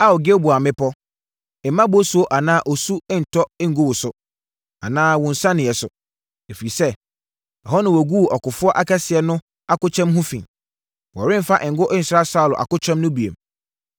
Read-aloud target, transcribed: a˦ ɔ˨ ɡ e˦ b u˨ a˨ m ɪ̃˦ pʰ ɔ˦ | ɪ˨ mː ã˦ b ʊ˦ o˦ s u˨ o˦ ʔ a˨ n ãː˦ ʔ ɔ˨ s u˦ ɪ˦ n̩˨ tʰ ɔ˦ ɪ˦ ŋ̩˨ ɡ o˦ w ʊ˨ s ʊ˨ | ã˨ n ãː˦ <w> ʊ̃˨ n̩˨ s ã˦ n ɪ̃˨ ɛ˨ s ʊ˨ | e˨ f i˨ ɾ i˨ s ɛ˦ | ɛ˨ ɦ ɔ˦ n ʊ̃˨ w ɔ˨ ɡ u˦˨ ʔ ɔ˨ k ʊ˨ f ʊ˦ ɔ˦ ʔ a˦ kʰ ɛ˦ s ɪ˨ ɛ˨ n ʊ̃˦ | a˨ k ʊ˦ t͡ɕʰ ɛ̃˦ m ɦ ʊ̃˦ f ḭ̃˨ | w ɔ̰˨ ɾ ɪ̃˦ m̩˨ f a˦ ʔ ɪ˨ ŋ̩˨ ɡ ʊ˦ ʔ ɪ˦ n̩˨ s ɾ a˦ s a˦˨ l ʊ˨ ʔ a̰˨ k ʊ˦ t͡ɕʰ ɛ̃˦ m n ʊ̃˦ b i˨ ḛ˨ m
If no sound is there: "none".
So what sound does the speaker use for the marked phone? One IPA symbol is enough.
w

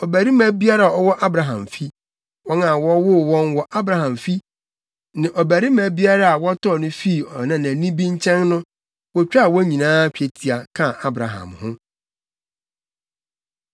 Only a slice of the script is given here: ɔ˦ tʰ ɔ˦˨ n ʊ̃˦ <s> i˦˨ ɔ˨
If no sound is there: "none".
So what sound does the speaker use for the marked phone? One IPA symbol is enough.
f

